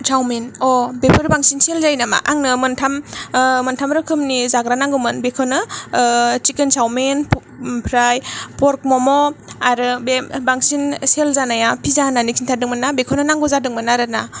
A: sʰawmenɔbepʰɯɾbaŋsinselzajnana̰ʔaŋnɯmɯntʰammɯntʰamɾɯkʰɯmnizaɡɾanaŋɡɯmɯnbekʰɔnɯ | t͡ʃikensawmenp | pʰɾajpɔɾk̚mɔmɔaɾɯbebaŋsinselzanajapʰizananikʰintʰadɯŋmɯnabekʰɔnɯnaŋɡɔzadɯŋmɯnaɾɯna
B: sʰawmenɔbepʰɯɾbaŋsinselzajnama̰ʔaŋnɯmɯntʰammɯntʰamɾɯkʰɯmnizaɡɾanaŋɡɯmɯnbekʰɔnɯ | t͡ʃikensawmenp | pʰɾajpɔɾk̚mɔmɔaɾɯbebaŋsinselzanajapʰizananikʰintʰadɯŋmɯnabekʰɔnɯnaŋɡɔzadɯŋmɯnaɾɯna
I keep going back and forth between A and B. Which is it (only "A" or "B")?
B